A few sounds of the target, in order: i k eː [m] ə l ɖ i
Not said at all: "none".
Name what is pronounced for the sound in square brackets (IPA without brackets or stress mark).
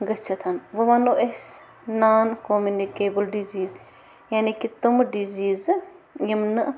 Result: b